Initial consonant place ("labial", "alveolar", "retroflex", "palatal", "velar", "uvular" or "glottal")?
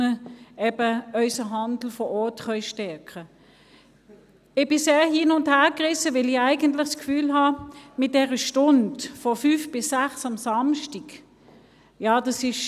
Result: labial